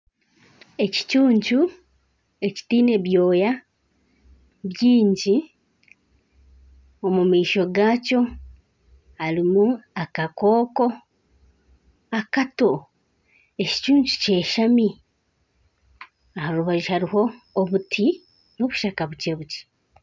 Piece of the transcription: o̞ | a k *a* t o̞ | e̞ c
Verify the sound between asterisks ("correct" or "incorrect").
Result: correct